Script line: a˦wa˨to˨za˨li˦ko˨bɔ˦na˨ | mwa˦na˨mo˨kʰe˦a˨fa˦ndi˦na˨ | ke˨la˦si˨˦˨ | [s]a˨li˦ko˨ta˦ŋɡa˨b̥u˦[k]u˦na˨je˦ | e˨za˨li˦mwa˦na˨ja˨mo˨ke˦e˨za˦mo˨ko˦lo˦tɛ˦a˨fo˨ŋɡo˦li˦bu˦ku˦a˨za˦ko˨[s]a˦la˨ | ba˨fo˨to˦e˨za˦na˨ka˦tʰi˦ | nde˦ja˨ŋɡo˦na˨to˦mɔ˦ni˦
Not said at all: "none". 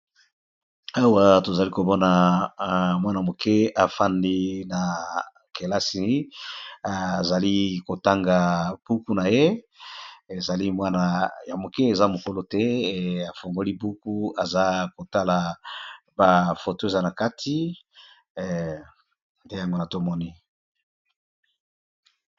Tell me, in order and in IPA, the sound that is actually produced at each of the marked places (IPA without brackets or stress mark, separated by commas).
z, k, t